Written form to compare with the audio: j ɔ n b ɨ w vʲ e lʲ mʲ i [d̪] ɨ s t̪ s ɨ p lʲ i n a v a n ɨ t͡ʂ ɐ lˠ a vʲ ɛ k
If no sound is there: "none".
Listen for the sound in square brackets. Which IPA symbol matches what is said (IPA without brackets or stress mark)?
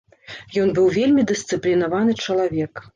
d̪